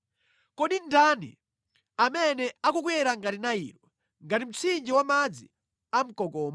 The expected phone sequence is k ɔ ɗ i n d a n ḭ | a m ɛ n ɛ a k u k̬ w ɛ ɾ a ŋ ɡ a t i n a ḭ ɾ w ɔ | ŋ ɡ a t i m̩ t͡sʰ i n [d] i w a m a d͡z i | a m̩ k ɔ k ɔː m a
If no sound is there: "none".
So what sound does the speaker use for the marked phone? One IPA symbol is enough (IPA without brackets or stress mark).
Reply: d͡ʒ